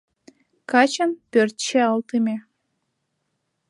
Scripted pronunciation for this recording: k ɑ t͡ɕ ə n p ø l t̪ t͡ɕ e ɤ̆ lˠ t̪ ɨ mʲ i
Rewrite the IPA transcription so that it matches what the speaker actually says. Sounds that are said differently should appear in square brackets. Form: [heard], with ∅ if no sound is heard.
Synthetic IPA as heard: k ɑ t͡ɕ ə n p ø [r] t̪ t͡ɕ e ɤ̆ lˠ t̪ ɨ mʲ [e]